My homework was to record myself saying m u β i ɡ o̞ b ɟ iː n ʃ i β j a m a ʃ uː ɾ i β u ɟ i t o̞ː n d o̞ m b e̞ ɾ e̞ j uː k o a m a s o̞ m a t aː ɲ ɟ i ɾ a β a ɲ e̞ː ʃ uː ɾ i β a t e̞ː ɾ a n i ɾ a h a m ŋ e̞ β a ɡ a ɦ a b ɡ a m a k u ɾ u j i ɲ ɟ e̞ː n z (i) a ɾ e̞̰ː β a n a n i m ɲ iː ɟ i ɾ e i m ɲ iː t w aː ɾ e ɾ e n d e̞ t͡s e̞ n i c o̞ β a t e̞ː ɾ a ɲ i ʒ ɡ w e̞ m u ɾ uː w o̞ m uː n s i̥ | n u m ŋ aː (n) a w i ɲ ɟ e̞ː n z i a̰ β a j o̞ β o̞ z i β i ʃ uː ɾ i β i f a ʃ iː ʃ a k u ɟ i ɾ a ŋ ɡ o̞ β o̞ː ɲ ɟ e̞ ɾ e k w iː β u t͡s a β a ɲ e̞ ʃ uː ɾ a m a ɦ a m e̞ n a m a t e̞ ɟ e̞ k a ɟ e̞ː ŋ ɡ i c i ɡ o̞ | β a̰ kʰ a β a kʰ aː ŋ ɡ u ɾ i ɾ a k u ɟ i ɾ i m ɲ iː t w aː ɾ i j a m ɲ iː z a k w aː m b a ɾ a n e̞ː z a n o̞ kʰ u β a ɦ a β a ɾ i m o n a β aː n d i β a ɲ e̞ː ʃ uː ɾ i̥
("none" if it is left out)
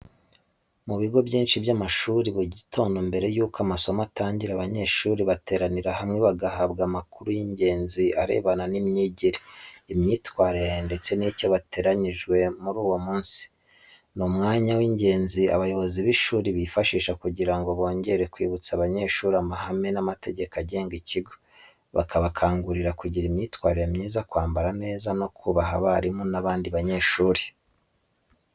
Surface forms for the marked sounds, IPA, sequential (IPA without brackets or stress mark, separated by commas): i, ɲ